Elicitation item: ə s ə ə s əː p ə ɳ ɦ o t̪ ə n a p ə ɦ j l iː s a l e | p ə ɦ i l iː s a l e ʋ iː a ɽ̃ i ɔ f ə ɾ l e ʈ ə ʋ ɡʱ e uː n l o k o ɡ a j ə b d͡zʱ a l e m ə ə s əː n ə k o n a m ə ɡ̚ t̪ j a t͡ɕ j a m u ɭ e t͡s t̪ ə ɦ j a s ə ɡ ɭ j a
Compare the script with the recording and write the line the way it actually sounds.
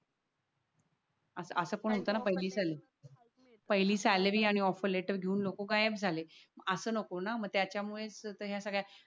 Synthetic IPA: ə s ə ə s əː p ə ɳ ɦ o t̪ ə n a p ə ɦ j l iː s a l e | p ə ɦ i l iː s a l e ʋ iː a ɽ̃ i ɔ f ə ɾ l e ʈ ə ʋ ɡʱ e uː n l o k o ɡ a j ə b d͡zʱ a l e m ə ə s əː n ə k o n a m ə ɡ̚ t̪ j a t͡ɕ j a m u ɭ e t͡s t̪ ə ɦ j a s ə ɡ ɭ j a